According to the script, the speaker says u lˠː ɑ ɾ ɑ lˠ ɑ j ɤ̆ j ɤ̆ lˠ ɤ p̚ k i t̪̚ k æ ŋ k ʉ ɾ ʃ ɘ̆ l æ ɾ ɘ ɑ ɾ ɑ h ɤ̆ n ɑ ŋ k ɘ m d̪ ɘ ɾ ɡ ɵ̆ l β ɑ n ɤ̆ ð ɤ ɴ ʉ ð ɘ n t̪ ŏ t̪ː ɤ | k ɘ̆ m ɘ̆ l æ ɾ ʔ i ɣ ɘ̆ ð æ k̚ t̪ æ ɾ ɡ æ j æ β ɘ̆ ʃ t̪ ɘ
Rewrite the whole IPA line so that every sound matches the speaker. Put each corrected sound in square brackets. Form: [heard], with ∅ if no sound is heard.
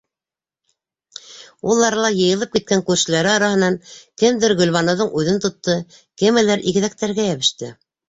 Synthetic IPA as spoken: u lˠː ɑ ɾ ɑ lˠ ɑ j ɤ̆ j ɤ̆ lˠ ɤ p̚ k i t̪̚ k æ ŋ k ʉ ɾ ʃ ɘ̆ l æ ɾ ɘ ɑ ɾ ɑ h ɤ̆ n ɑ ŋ k ɘ m d̪ ɘ ɾ ɡ ɵ̆ l β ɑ n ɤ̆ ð ɤ ɴ ʉ ð ɘ n t̪ ŏ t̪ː ɤ | k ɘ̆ m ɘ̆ l æ ɾ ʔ i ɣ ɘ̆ ð æ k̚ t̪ æ ɾ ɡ æ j æ β ɘ̆ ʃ t̪ ɘ

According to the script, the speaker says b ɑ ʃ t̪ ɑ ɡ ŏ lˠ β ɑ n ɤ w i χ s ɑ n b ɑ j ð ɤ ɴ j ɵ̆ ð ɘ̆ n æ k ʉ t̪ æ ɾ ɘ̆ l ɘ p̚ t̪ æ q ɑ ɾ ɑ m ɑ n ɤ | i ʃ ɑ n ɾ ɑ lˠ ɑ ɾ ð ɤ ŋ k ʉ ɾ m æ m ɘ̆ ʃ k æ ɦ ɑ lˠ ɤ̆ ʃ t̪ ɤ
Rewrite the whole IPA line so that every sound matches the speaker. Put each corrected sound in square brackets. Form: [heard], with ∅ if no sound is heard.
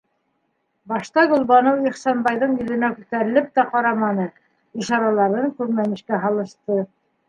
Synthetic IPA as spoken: b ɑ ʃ t̪ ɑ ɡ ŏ lˠ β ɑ n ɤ w i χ s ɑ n b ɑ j ð ɤ ɴ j ɵ̆ ð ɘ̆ n æ k ʉ t̪ æ ɾ ɘ̆ l ɘ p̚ t̪ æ q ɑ ɾ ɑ m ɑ n ɤ | i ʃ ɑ [∅] ɾ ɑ lˠ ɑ ɾ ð ɤ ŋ k ʉ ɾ m æ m ɘ̆ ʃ k æ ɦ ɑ lˠ ɤ̆ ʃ t̪ ɤ

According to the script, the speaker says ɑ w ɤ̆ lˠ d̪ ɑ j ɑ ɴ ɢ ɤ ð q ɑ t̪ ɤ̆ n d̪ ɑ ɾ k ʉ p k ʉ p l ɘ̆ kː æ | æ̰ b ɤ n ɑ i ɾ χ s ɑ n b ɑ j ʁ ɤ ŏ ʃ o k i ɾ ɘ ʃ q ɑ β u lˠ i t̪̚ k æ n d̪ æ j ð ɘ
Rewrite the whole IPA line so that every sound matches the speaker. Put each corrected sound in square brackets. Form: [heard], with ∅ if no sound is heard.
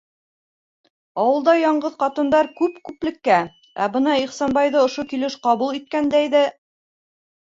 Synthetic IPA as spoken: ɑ w ɤ̆ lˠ d̪ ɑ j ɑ ɴ ɢ ɤ ð q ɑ t̪ ɤ̆ n d̪ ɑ ɾ k ʉ p k ʉ p l ɘ̆ kː æ | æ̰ b ɤ n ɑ i [∅] χ s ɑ n b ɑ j [ð] ɤ ŏ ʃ o k i [l] ɘ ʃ q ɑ β u lˠ i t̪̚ k æ n d̪ æ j ð ɘ

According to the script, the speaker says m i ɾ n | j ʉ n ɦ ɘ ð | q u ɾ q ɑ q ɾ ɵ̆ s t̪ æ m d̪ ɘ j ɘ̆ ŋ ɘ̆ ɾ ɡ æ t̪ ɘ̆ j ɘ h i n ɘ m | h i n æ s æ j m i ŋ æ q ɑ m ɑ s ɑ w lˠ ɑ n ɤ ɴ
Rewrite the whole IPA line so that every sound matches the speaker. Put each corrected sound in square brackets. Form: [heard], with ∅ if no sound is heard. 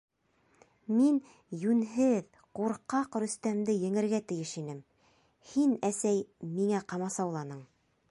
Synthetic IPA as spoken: m i [∅] n | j ʉ n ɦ ɘ ð | q u ɾ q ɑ q ɾ ɵ̆ s t̪ æ m d̪ ɘ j ɘ̆ ŋ ɘ̆ ɾ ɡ æ t̪ ɘ̆ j ɘ [ʃ] i n ɘ m | h i n æ s æ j m i ŋ æ q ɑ m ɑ s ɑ w lˠ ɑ n ɤ ɴ

